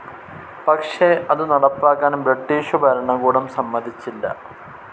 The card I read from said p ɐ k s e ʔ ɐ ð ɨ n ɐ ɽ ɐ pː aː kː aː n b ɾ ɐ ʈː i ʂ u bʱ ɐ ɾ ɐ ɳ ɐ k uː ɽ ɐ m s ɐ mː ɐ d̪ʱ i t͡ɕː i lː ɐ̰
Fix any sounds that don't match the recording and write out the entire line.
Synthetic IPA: p ɐ k ʂ e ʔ ɐ ð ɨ n ɐ ɽ ɐ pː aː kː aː n b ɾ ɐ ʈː iː ʂ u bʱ ɐ ɾ ɐ ɳ ɐ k uː ɽ ɐ m s ɐ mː ɐ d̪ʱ i t͡ɕː i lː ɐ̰